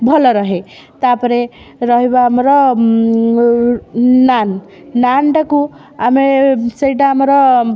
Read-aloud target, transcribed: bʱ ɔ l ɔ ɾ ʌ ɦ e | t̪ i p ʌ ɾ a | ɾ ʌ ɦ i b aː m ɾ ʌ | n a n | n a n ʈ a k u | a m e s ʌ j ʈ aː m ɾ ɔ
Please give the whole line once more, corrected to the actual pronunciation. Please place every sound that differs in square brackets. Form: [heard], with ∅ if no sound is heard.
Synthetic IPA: bʱ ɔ l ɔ ɾ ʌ ɦ e | t̪ [a] p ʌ ɾ [e] | ɾ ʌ ɦ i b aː m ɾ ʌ | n a n | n a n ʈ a k u | a m e s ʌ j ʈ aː m ɾ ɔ